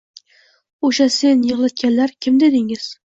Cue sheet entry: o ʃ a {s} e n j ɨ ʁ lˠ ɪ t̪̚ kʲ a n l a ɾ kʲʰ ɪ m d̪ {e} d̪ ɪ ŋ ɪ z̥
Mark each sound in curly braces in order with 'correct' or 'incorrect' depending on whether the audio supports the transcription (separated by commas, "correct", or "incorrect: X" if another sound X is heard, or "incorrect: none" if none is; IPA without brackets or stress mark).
correct, correct